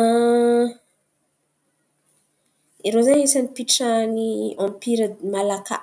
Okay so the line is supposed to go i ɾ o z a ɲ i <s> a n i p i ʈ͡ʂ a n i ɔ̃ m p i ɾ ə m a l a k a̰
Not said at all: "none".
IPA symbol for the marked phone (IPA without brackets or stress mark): s